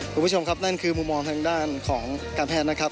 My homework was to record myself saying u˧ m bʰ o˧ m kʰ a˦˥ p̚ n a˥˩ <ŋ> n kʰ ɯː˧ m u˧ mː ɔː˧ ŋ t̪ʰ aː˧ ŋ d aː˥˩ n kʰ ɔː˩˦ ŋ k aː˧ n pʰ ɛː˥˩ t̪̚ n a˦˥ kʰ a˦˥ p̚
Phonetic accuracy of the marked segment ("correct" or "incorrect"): incorrect